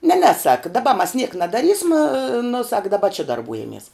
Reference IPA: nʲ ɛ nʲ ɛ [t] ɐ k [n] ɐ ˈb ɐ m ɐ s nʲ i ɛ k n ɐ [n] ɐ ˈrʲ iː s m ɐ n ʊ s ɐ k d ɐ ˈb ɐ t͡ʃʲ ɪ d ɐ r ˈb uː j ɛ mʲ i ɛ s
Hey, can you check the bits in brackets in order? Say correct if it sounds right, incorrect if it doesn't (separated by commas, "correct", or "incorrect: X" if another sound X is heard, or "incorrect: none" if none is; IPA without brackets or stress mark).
incorrect: s, incorrect: d, incorrect: d